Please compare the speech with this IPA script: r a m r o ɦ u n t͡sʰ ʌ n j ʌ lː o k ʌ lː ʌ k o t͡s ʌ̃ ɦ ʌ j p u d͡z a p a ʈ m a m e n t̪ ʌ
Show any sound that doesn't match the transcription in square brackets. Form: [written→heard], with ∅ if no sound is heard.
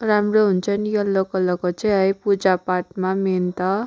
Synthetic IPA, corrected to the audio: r a m r o ɦ u n t͡sʰ ʌ n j ʌ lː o k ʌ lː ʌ k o t͡s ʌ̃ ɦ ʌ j p u d͡z a p a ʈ m a m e n t̪ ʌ